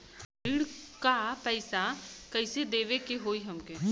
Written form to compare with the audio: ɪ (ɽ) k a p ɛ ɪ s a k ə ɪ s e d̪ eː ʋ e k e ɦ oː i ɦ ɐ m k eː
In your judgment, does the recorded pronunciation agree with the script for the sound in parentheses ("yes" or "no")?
yes